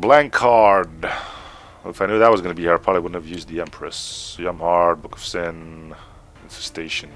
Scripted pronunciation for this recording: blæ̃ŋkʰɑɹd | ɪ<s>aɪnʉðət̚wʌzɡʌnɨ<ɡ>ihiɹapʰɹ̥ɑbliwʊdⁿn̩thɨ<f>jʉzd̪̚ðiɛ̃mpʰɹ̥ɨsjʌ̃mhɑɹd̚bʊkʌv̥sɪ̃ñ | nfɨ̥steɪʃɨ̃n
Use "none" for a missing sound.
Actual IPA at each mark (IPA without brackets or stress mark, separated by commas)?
f, b, v